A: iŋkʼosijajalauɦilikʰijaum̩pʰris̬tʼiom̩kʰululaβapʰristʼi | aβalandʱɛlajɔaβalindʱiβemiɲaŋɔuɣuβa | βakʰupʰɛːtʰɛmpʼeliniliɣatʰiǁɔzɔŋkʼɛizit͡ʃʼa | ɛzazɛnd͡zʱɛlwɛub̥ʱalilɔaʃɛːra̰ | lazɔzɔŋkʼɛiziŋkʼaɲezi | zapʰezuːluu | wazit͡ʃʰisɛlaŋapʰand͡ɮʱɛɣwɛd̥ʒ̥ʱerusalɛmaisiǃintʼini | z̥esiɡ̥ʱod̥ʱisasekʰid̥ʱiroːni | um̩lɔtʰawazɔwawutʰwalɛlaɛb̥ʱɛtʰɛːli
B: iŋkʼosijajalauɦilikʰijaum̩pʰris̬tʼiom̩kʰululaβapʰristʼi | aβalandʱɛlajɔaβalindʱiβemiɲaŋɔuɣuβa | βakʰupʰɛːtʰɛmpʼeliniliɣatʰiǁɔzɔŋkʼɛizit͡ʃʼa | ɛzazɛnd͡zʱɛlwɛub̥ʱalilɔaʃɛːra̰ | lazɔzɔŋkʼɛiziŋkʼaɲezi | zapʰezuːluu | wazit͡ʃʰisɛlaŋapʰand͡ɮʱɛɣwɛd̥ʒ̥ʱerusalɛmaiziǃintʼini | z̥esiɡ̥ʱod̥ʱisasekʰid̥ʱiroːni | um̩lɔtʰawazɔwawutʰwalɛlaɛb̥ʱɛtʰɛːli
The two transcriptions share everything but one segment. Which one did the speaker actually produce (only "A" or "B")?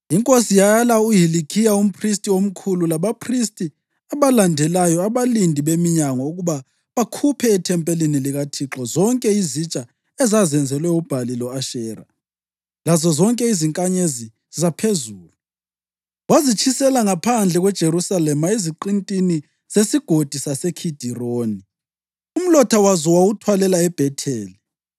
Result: B